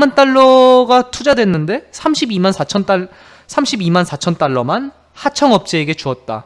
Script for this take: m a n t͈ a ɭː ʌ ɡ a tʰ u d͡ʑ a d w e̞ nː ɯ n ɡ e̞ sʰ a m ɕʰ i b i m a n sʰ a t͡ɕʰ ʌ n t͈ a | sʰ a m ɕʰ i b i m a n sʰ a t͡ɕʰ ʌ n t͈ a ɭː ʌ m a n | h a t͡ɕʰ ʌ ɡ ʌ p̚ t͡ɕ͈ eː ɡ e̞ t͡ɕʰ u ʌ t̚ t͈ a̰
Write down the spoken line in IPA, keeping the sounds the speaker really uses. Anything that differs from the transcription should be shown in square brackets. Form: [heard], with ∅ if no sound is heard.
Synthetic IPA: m a n t͈ a ɭː ʌ ɡ a tʰ u d͡ʑ a d w e̞ nː ɯ n [d] e̞ sʰ a m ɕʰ i b i m a n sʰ a t͡ɕʰ ʌ n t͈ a | sʰ a m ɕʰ i b i m a n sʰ a t͡ɕʰ ʌ n t͈ a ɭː ʌ m a n | h a t͡ɕʰ ʌ [ŋ] ʌ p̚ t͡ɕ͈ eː ɡ e̞ [t͡ɕ] u ʌ t̚ t͈ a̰